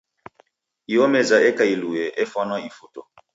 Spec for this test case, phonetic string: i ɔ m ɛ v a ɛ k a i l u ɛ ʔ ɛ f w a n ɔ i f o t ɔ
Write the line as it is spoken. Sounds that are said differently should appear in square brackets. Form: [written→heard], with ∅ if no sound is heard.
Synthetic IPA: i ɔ m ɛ [v→z] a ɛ k a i l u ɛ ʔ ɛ f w a n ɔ i f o t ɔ